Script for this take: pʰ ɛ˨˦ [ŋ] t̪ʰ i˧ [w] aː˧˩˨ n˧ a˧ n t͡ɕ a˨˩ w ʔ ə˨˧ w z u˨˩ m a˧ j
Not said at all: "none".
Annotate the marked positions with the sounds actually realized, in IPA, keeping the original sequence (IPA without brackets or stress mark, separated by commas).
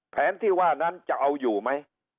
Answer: n, w